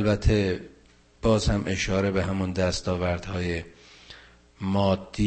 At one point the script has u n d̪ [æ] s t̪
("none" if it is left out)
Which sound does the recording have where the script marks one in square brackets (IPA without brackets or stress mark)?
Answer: æ